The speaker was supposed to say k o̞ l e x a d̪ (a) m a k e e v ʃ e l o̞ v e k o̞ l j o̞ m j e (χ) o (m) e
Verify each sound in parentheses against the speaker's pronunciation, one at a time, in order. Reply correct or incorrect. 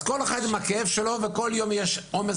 incorrect: i, incorrect: ʃ, correct

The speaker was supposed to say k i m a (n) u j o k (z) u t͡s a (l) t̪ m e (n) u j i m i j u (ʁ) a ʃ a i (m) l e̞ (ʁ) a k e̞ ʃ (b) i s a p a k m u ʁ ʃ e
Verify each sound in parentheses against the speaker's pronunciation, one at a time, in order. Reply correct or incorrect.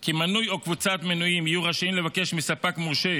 correct, incorrect: v, incorrect: none, correct, correct, correct, incorrect: v, incorrect: m

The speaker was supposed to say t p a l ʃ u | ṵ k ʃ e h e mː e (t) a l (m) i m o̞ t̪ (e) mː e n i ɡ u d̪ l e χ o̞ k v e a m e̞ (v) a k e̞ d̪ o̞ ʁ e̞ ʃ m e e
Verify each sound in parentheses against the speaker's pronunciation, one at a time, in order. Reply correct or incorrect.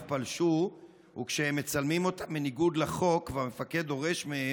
incorrect: t͡s, correct, incorrect: a, incorrect: f

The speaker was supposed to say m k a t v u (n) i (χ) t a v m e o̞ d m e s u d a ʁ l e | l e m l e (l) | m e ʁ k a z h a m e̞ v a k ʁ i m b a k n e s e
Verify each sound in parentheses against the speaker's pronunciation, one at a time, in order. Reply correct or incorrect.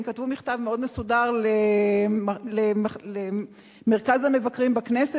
incorrect: m, correct, incorrect: none

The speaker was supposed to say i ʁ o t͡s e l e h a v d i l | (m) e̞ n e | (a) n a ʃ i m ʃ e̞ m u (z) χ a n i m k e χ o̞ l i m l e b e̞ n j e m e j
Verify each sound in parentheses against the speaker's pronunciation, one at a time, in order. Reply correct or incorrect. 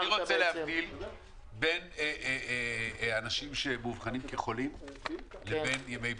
incorrect: b, correct, incorrect: v

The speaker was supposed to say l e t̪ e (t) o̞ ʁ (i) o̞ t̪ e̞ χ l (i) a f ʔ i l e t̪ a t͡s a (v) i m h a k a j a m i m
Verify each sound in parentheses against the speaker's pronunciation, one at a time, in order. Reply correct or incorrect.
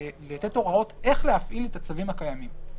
correct, incorrect: a, incorrect: e, correct

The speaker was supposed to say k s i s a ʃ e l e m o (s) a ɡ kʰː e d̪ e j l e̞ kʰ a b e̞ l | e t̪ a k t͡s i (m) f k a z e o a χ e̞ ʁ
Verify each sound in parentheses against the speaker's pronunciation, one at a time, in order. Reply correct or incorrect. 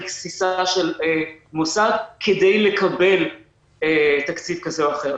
correct, incorrect: none

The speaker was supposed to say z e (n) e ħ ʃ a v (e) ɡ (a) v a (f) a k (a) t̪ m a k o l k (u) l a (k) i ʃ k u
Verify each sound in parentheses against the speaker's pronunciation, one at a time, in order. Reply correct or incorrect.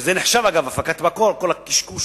correct, incorrect: a, correct, correct, correct, incorrect: o, correct

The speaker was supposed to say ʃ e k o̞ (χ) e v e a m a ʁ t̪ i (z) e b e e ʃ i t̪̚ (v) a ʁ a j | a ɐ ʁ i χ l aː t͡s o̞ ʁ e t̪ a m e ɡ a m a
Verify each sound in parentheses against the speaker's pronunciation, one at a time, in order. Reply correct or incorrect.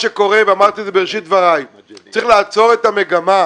incorrect: ʁ, correct, correct

